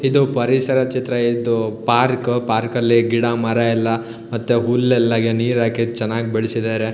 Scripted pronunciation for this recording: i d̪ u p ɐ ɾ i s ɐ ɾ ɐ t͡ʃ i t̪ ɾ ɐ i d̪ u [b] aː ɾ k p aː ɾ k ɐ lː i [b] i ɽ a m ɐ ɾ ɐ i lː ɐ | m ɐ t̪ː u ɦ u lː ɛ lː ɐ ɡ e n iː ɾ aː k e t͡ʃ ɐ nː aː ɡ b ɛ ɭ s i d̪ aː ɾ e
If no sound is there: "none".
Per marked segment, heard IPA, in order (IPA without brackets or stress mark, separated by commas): p, ɡ